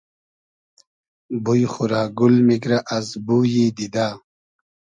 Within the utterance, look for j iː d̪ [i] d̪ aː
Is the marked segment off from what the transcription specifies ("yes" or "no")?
no